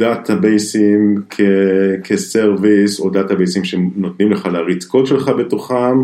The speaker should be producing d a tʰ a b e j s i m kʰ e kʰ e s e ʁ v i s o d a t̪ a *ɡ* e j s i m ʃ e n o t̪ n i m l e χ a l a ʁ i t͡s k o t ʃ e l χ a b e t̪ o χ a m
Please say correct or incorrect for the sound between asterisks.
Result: incorrect